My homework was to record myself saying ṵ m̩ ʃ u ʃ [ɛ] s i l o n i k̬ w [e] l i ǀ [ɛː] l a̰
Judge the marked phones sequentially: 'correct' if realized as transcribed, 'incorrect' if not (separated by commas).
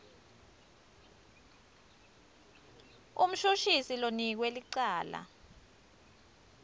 incorrect, correct, incorrect